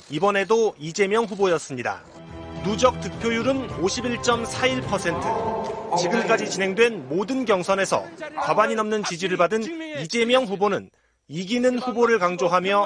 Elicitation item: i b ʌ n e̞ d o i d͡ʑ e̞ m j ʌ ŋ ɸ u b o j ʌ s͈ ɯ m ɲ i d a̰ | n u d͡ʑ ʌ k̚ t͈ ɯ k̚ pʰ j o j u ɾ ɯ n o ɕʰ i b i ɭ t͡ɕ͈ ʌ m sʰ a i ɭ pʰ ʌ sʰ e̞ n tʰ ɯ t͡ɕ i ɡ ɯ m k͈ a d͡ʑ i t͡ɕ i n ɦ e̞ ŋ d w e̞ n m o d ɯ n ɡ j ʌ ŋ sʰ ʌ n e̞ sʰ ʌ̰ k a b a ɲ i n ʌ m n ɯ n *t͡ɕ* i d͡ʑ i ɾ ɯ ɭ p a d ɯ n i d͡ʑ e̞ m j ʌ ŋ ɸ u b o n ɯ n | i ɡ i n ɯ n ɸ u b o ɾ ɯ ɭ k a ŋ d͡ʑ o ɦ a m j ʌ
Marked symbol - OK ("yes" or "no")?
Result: yes